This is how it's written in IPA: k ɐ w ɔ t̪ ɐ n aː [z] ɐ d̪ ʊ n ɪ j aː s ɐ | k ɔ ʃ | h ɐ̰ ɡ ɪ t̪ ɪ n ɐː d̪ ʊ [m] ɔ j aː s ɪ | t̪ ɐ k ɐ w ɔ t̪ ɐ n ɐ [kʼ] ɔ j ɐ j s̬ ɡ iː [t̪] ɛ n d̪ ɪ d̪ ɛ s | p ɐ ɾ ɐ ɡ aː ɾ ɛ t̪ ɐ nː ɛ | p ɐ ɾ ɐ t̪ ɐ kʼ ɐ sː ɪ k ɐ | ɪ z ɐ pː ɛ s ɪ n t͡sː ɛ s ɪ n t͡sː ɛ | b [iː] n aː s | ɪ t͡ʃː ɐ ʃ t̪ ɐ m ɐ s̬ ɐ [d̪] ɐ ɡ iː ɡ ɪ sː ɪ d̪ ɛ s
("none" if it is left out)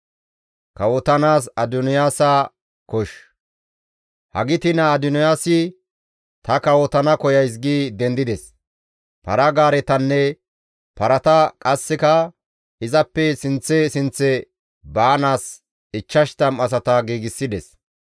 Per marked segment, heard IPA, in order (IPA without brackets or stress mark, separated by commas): s, n, k, d̪, aː, t̪